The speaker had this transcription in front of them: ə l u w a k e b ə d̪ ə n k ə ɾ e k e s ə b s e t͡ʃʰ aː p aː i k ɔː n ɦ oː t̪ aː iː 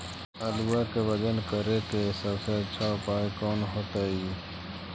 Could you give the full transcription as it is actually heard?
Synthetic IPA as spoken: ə l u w a k e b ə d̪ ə n k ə ɾ e k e s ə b s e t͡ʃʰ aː p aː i k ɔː n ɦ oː t̪ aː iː